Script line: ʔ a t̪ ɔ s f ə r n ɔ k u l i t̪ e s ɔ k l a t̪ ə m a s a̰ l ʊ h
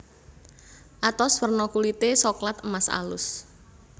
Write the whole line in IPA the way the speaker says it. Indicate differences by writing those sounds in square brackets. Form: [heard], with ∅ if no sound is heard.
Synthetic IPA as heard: ʔ a t̪ ɔ s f ə r n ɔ k u l i t̪ e s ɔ k l a t̪ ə m a s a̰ l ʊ [s]